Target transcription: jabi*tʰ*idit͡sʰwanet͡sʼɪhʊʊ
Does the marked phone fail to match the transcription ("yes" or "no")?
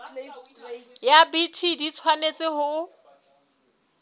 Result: no